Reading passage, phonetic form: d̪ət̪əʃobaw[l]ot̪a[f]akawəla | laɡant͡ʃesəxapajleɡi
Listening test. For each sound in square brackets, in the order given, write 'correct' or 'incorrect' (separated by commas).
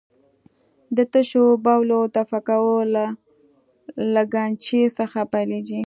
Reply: correct, correct